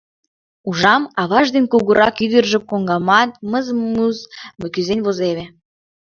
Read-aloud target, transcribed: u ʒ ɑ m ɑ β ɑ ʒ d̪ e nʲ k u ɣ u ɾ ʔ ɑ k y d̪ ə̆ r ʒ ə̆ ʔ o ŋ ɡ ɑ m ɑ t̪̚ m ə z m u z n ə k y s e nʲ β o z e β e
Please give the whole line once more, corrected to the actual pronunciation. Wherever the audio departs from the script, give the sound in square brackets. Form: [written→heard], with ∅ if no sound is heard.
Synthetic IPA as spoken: u ʒ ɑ m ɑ β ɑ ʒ d̪ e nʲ k u ɣ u ɾ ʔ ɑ k y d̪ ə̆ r ʒ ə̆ [ʔ→k] o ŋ ɡ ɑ m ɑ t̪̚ m ə z m u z [n→m] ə k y [s→z] e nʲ β o z e β e